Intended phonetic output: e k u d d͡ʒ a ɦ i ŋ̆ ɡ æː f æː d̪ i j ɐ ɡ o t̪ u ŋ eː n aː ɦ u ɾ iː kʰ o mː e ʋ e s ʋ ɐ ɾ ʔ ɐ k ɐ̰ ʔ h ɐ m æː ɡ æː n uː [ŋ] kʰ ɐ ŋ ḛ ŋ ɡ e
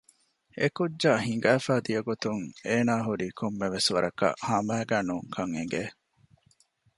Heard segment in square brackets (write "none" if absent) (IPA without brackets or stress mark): ŋ